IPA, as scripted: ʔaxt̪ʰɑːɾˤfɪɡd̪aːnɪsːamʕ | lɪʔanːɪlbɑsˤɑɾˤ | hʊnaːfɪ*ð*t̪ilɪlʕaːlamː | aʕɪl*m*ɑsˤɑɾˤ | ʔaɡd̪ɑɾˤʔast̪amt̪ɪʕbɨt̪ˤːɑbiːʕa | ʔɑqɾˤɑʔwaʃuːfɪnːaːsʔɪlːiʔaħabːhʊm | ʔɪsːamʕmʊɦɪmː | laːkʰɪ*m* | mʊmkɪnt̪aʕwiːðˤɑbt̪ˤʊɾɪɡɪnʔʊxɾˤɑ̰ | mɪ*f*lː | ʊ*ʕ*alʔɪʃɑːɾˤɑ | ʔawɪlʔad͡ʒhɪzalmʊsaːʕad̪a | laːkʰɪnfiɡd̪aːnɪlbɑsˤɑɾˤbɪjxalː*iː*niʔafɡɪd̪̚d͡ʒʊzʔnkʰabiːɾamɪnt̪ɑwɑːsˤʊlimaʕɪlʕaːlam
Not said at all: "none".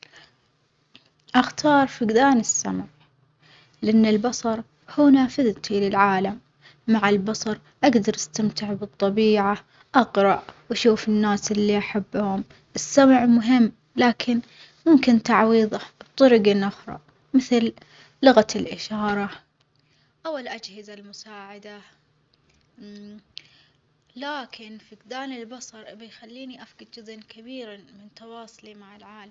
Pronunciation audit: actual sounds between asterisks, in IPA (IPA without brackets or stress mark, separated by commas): ð, b, n, θ, ɣ, iː